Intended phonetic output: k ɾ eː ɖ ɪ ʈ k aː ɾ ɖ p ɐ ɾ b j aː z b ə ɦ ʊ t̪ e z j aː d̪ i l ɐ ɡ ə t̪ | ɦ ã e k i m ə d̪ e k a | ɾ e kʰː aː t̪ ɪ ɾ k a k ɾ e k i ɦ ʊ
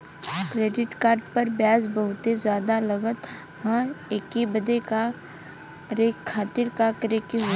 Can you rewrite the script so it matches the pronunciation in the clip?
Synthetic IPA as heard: k ɾ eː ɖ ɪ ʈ k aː ɾ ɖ p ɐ ɾ b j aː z b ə ɦ ʊ t̪ e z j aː d̪ a l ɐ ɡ ə t̪ | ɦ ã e k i b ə d̪ e k a | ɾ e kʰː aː t̪ ɪ ɾ k a k ɾ e k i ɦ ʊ